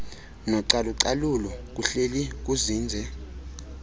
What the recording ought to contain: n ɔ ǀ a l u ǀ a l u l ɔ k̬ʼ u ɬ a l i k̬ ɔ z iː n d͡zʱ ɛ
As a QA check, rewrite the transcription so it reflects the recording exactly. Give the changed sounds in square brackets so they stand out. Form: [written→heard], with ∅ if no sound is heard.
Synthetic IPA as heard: n ɔ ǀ a l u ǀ a l u l ɔ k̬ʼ u ɬ [a→e] l i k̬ [ɔ→u] z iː n d͡zʱ ɛ